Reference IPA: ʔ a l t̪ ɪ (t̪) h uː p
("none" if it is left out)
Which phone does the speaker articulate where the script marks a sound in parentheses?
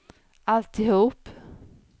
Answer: none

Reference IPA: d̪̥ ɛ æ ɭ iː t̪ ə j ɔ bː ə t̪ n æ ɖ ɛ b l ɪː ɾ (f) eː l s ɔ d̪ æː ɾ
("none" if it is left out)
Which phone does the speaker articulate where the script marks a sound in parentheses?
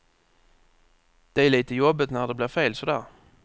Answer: f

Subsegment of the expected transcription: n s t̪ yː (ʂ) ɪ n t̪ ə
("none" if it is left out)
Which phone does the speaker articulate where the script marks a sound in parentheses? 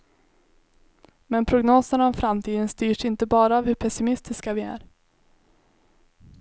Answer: ʂ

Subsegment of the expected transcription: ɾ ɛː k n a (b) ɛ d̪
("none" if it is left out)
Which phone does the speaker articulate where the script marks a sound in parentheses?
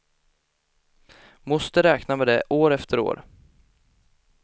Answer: m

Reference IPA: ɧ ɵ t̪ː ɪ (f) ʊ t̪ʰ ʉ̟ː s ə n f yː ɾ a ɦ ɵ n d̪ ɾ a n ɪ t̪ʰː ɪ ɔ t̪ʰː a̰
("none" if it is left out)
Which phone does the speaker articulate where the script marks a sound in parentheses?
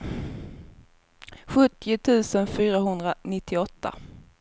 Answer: none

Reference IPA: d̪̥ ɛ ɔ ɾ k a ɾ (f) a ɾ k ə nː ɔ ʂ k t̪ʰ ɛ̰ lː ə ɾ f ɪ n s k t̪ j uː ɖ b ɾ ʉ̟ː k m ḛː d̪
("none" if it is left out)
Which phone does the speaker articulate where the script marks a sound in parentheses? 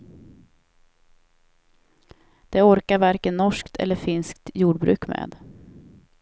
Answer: v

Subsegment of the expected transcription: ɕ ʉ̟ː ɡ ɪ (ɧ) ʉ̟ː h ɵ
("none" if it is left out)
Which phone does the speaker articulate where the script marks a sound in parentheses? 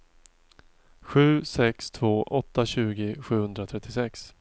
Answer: ɧ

